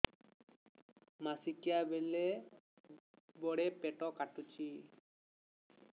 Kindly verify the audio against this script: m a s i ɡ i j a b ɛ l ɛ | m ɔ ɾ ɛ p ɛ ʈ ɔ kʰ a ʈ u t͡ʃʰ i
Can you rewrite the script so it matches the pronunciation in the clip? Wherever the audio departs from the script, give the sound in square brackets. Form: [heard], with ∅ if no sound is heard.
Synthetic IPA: m a s i [k] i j a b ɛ l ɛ | [b] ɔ [ɽ] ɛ p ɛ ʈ ɔ [k] a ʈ u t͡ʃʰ i

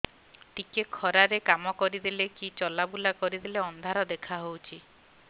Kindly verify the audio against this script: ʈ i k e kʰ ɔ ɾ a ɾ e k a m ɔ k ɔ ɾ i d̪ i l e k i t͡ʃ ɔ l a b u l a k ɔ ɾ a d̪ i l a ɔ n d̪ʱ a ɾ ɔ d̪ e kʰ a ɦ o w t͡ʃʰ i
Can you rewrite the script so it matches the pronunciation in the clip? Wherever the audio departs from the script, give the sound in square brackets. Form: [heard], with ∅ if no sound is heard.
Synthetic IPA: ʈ i k e kʰ ɔ ɾ a ɾ e k a m ɔ k ɔ ɾ i d̪ i l e k i t͡ʃ ɔ l a b u l a k ɔ ɾ [i] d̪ i l [e] ɔ n d̪ʱ a ɾ ɔ d̪ e kʰ a ɦ o w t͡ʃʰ i

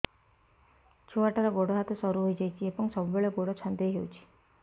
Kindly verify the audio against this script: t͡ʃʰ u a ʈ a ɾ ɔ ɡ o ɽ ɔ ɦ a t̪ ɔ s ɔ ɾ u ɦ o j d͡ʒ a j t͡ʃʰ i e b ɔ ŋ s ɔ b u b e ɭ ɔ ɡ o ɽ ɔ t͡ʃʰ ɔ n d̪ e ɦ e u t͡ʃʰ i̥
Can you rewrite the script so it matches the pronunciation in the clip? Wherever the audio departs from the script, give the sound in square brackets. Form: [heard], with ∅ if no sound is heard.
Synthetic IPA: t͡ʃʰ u a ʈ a ɾ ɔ ɡ o ɽ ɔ ɦ a t̪ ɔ s ɔ ɾ u ɦ o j d͡ʒ a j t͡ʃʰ i e b ɔ ŋ s ɔ b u b e ɭ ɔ ɡ o ɽ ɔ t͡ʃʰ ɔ n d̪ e ɦ e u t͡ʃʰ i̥

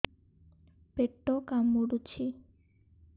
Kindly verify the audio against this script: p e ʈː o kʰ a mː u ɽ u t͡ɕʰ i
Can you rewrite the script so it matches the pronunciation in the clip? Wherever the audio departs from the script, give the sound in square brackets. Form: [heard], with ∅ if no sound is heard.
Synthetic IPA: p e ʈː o [k] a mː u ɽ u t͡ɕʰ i

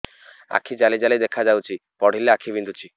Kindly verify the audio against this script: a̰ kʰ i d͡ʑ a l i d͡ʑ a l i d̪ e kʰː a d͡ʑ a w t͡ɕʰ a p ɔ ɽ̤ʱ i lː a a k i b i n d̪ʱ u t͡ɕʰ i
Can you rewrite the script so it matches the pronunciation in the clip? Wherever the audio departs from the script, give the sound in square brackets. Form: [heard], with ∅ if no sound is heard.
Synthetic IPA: a̰ kʰ i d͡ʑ a l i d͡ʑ a l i d̪ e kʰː a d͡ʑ a w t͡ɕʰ [i] p ɔ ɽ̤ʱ i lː [e] a [kʰ] i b i n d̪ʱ u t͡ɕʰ i

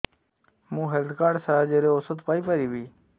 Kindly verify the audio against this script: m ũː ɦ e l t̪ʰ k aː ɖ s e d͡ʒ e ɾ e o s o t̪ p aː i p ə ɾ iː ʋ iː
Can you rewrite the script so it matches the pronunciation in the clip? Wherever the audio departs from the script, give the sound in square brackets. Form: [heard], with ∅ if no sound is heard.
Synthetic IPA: m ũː ɦ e l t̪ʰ k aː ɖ s [a] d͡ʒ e ɾ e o s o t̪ p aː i p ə ɾ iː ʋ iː

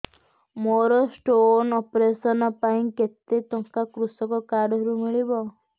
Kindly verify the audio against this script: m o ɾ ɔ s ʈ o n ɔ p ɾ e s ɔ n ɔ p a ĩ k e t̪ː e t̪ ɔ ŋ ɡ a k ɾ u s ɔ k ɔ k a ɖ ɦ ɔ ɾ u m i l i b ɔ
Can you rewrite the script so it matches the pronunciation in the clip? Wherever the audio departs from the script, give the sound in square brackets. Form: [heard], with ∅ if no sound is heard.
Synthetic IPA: m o ɾ ɔ s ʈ o n ɔ p ɾ e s ɔ n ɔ p a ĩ k e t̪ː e t̪ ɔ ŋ [k] a k ɾ u s ɔ k ɔ k a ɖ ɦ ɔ ɾ u m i [ɭ] i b ɔ

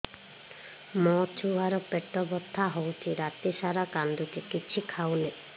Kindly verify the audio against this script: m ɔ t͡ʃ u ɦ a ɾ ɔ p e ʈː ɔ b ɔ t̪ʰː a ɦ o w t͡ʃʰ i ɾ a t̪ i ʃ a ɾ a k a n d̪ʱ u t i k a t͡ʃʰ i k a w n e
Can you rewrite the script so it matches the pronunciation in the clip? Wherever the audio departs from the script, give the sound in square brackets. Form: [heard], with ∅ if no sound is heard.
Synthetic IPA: m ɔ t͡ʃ u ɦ a ɾ ɔ p e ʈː ɔ b ɔ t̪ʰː a ɦ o w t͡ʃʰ i ɾ a t̪ i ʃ a ɾ a k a n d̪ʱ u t i k [i] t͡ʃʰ i [kʰ] a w n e

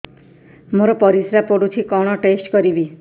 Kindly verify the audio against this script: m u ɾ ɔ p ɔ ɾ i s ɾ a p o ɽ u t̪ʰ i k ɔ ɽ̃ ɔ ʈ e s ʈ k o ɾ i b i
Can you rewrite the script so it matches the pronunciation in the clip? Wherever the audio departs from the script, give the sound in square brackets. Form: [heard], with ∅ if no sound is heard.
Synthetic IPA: m [o] ɾ ɔ p ɔ ɾ i s ɾ a p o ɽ u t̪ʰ i k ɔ ɽ̃ ɔ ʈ e s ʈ k [ɔ] ɾ i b i

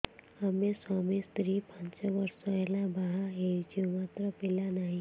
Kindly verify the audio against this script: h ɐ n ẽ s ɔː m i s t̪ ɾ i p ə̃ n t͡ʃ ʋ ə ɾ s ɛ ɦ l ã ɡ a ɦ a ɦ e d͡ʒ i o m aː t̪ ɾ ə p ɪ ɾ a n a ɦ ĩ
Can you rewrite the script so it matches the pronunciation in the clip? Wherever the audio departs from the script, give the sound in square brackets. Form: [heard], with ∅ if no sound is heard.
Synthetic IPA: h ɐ [m] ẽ s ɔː m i s t̪ ɾ i p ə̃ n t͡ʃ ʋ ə ɾ s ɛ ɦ l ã [b] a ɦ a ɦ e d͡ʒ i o m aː t̪ ɾ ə p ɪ [l] a n a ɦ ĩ

